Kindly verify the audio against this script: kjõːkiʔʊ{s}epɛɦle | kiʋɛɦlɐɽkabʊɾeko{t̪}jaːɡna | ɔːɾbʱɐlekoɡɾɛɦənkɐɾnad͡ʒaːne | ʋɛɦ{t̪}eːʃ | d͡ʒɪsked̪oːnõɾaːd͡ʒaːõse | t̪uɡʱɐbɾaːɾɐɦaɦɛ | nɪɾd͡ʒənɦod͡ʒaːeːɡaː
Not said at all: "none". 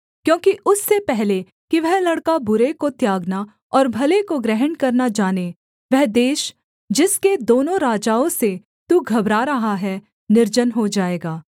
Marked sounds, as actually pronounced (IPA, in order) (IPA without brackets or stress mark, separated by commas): sː, t̪, d̪